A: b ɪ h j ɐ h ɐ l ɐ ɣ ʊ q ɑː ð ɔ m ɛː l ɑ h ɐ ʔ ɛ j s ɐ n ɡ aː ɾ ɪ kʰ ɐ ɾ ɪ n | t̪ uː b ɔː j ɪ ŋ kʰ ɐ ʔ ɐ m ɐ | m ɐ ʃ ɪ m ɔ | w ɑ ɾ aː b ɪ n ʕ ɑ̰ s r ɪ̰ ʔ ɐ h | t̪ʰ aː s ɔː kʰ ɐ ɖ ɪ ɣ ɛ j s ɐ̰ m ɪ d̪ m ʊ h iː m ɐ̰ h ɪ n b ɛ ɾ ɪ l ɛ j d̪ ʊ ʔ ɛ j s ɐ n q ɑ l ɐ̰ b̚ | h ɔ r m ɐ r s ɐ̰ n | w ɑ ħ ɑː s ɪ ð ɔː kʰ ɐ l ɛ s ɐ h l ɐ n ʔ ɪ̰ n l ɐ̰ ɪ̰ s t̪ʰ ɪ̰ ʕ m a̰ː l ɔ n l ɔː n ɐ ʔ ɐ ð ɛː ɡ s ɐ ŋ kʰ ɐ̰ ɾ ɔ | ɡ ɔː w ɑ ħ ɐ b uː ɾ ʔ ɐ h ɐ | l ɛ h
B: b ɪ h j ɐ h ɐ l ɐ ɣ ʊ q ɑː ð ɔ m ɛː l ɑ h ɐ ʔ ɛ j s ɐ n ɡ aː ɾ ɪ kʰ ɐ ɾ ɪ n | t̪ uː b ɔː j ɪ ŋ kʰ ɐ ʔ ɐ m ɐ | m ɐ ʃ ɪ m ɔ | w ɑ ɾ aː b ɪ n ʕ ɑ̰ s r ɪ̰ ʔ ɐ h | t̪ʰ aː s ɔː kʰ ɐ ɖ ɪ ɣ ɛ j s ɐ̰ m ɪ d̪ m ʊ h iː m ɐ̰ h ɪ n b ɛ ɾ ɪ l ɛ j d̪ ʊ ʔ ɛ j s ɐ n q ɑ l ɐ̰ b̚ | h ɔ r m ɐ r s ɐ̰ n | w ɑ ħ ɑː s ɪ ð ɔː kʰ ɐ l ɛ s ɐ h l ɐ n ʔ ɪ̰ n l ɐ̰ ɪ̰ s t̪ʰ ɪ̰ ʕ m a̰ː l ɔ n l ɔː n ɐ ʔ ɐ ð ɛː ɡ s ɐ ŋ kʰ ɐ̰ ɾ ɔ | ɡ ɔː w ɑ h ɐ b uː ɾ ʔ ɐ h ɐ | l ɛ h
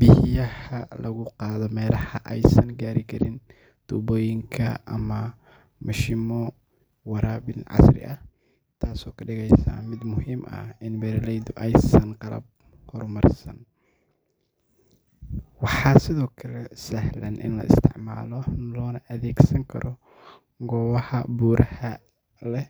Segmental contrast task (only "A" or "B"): B